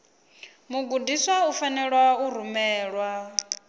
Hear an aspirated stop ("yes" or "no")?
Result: no